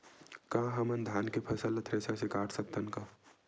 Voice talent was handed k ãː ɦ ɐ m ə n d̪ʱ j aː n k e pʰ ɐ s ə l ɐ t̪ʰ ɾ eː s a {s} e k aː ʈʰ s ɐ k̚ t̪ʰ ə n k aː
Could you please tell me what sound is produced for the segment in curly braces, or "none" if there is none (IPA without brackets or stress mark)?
s